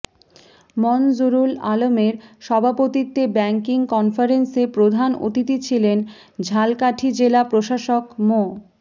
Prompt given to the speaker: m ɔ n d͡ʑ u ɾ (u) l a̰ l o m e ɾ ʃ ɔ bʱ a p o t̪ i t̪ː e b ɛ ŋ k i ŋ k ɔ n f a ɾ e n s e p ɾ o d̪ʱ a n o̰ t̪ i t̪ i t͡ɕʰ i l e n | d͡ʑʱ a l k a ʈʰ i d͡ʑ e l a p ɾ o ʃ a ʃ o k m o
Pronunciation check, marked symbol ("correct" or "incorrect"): correct